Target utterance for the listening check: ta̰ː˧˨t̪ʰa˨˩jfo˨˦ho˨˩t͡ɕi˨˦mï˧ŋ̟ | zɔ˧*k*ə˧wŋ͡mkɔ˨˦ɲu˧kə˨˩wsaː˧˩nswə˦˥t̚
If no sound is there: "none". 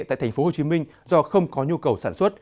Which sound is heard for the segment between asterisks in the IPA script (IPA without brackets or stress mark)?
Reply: x